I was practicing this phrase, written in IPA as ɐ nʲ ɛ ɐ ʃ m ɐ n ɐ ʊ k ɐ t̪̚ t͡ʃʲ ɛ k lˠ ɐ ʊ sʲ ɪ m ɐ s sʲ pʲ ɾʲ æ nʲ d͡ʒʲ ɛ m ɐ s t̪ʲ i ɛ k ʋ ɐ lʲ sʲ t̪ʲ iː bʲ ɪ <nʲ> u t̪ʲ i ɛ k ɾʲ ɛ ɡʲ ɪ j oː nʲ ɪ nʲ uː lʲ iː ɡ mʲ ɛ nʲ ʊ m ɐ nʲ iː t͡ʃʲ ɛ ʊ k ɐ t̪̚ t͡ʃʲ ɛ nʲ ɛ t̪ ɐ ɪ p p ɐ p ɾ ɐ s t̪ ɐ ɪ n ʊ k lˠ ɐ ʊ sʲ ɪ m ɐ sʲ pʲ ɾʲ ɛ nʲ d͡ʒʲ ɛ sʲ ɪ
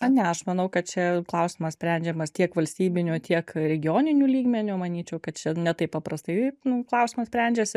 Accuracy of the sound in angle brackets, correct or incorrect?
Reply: correct